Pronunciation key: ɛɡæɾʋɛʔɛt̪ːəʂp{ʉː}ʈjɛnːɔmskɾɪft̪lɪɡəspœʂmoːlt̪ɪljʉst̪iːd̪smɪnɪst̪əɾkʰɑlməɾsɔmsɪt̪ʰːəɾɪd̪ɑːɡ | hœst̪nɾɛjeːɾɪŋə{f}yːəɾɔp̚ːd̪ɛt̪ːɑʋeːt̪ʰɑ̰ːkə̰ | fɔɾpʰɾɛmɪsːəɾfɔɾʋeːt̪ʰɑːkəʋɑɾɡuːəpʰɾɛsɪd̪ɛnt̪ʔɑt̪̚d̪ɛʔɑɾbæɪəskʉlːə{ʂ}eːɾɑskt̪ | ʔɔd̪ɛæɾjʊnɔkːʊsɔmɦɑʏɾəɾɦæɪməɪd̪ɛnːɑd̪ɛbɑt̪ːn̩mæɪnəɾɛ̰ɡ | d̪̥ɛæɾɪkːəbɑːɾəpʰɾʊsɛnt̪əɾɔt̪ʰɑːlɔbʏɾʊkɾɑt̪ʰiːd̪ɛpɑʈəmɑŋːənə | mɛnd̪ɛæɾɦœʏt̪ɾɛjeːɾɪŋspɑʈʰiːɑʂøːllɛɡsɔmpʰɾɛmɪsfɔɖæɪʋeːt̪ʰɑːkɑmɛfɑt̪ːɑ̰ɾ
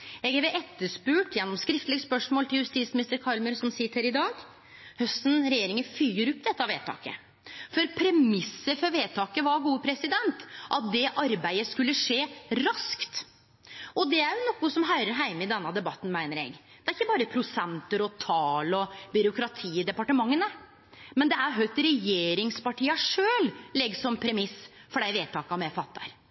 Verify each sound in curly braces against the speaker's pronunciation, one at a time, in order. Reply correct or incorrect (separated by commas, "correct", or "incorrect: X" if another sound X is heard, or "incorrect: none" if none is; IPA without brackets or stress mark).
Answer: correct, correct, correct